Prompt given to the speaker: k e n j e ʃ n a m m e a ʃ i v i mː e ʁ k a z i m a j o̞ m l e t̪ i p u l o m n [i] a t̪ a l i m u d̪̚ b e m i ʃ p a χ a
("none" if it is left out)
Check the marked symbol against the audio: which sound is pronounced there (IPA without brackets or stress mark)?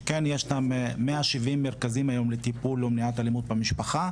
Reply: i